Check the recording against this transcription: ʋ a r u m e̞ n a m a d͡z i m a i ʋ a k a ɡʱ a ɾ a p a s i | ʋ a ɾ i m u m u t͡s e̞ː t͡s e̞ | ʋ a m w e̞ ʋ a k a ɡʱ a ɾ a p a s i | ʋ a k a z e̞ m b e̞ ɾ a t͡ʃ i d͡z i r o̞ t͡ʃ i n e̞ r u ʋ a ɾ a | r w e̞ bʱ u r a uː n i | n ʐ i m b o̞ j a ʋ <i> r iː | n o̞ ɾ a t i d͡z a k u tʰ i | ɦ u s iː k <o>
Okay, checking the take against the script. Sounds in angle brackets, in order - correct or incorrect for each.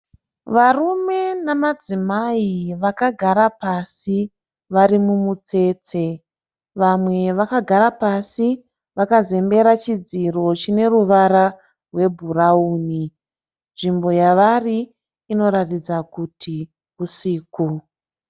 incorrect, incorrect

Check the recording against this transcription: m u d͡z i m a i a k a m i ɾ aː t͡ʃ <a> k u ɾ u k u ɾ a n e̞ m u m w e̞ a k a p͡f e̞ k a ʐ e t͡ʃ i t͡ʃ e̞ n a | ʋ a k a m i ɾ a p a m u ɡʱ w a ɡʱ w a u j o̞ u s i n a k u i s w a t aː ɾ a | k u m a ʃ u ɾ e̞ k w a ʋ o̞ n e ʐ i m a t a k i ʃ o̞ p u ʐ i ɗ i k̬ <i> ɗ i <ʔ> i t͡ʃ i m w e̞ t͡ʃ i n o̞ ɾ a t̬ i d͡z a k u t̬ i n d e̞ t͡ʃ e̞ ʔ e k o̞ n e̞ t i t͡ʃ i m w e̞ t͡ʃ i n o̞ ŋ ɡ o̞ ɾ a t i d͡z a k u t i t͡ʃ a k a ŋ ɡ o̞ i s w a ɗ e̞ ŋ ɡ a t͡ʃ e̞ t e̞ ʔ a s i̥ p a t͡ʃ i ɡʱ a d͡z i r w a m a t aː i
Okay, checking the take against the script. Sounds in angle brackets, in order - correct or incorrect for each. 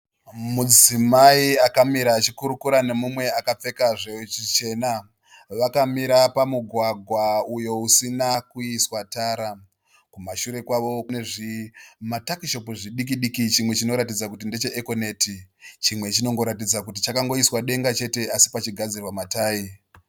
incorrect, correct, incorrect

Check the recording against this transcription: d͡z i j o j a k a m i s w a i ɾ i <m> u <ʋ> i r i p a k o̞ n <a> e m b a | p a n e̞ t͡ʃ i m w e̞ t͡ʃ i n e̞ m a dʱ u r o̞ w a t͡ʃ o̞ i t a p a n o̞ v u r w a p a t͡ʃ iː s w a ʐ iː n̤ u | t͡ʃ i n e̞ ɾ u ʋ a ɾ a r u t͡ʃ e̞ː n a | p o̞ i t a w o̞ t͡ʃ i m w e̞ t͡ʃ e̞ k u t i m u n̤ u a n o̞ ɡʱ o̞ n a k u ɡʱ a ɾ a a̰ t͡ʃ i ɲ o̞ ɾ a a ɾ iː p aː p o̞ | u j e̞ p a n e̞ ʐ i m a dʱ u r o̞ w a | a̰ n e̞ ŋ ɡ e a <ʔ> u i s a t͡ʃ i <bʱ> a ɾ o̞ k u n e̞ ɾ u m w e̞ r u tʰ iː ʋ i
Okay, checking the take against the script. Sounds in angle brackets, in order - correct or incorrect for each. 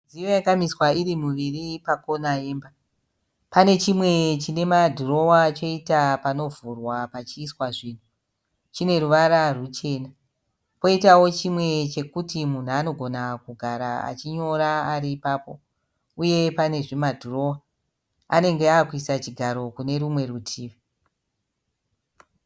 correct, correct, correct, incorrect, incorrect

